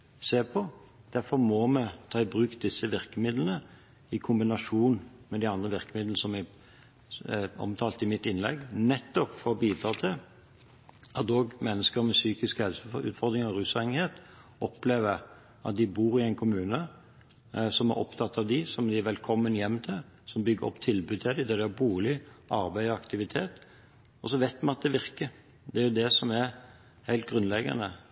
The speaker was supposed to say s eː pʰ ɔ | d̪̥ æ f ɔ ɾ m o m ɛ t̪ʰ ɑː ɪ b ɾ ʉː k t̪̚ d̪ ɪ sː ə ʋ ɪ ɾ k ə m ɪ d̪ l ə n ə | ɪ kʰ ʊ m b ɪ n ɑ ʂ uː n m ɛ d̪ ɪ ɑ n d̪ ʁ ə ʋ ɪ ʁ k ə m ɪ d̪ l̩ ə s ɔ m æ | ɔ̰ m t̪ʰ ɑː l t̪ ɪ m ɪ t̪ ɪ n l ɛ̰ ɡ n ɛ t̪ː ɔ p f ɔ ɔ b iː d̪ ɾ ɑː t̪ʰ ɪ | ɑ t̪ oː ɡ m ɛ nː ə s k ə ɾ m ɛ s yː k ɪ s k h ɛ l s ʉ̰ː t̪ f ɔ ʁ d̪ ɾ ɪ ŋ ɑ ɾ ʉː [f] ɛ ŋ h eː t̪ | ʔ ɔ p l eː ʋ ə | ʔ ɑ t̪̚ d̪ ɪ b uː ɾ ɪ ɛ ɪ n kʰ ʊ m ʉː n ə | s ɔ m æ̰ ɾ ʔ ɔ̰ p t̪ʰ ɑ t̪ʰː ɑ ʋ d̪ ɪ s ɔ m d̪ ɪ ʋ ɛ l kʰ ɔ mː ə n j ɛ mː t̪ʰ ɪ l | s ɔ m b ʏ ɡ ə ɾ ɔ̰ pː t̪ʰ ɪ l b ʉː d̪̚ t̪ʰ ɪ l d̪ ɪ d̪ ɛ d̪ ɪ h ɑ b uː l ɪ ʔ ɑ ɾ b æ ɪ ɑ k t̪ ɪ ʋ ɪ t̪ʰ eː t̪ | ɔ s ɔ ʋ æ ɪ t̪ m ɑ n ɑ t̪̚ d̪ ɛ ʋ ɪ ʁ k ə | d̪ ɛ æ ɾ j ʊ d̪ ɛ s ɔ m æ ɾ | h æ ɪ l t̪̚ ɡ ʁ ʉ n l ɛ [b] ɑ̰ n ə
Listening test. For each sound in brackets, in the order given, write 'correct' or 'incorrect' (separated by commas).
incorrect, incorrect